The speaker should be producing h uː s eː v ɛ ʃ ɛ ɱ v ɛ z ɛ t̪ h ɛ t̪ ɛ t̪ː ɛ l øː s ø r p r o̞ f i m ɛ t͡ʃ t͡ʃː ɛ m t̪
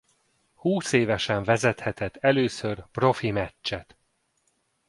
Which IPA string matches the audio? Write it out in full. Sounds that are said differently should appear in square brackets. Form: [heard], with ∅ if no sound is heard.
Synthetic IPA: h uː s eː v ɛ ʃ ɛ ɱ v ɛ z ɛ t̪ h ɛ t̪ ɛ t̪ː ɛ l øː s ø r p r o̞ f i m ɛ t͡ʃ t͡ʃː ɛ [∅] t̪